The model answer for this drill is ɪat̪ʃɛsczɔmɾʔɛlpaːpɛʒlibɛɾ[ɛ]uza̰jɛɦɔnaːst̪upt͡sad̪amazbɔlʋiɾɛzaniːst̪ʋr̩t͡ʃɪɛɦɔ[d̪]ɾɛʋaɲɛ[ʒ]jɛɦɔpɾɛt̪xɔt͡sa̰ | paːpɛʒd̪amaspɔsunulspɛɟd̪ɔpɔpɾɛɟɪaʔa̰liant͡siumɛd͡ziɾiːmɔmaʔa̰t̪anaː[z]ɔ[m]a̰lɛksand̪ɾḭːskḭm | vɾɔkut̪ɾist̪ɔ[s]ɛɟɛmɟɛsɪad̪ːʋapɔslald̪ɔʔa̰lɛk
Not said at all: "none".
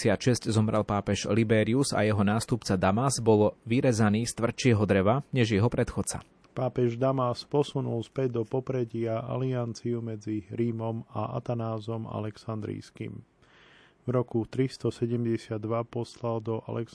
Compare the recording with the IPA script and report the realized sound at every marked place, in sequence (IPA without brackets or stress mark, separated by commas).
i, d̪, ʒ, z, m, s